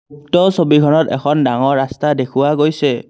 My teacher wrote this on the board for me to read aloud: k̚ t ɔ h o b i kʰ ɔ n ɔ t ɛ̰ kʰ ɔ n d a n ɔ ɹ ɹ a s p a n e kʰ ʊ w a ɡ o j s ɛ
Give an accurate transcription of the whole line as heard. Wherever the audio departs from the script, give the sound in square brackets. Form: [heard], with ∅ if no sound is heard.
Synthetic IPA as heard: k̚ t ɔ [s] o b i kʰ ɔ n ɔ t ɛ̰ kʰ ɔ n d a [ŋ] ɔ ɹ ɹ a s [t] a [d] e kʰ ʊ w a ɡ o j s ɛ

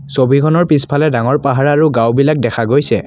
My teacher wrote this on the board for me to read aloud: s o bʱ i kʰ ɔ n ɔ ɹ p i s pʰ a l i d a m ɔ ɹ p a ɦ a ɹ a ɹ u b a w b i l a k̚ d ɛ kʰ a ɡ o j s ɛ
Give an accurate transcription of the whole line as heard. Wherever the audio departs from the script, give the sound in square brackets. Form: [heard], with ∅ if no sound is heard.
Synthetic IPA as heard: s o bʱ i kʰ ɔ n ɔ ɹ p i s pʰ a l [ɛ] d a [ŋ] ɔ ɹ p a ɦ a ɹ a ɹ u [ɡ] a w b i l a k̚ d ɛ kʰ a ɡ o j s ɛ

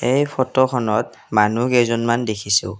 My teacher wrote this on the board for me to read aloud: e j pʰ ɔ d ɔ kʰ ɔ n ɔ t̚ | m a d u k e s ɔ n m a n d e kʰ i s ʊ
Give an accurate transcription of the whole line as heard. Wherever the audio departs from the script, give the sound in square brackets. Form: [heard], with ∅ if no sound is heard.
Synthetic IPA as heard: e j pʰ ɔ [t] ɔ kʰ ɔ n ɔ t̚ | m a [n] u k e [z] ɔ n m a n d e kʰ i s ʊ

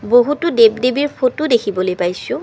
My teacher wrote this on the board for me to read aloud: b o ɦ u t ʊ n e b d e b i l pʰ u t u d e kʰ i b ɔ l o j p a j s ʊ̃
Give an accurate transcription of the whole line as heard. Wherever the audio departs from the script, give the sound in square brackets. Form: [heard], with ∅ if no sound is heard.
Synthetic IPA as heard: b o ɦ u t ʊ [d] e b d e b i [ɹ] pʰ [o] t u d e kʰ i b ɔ l o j p a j s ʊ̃

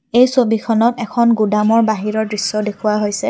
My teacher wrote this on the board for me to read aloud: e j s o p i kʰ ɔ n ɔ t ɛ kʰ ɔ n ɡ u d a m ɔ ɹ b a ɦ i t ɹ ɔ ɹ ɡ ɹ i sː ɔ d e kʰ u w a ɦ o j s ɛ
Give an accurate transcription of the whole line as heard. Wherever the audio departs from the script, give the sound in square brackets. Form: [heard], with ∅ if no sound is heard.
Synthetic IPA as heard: e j s o [b] i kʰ ɔ n ɔ t ɛ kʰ ɔ n ɡ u d a m ɔ ɹ b a ɦ i [∅] ɹ ɔ ɹ [d] ɹ i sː ɔ d e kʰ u w a ɦ o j s ɛ

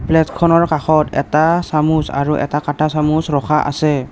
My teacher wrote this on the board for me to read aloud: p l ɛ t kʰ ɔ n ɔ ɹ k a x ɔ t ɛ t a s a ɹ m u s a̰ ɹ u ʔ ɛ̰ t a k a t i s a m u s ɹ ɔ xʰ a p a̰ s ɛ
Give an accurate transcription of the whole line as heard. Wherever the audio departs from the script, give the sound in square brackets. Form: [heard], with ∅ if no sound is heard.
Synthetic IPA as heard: p l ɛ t kʰ ɔ n ɔ ɹ k a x ɔ t ɛ t a s a [∅] m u s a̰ ɹ u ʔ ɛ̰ t a k a t [a] s a m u s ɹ ɔ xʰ a [ʔ] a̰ s ɛ

